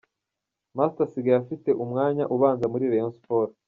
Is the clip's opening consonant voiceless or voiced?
voiced